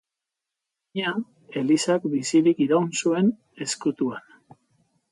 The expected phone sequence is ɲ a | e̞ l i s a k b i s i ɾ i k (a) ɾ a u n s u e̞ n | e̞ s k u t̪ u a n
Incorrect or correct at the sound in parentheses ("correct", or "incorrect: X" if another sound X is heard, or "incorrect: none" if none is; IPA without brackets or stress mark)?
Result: incorrect: i